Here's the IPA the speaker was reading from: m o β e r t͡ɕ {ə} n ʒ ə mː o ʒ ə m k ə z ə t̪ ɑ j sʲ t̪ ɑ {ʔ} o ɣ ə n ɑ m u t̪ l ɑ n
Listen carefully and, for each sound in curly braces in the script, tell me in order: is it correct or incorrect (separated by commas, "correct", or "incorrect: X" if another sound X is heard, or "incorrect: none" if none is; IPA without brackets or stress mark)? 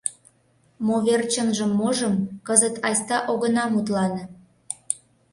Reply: correct, correct